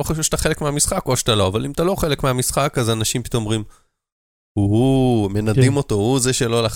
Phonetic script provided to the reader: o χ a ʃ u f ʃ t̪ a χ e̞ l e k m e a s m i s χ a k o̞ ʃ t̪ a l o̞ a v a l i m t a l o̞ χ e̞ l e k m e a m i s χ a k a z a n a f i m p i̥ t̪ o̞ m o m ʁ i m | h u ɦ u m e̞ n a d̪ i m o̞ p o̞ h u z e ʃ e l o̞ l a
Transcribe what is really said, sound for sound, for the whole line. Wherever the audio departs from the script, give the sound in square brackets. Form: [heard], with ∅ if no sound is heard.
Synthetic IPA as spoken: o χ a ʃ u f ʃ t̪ a χ e̞ l e k m e a [∅] m i s χ a k o̞ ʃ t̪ a l o̞ a v a l i m t a l o̞ χ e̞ l e k m e a m i s χ a k a z a n a [ʃ] i m p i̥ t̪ o̞ m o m ʁ i m | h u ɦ u m e̞ n a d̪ i m o̞ [t] o̞ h u z e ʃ e l o̞ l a